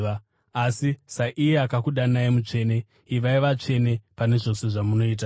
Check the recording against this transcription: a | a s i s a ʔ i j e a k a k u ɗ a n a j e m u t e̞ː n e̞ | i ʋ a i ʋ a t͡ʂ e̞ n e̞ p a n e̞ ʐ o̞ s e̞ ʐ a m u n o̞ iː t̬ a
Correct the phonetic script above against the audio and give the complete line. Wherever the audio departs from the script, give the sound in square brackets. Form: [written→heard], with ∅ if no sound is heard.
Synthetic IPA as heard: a | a s i s a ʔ i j e a k a k u ɗ a n a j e m u [t→t͡ʂ] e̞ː n e̞ | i ʋ a i ʋ a t͡ʂ e̞ n e̞ p a n e̞ ʐ o̞ s e̞ ʐ a m u n o̞ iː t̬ a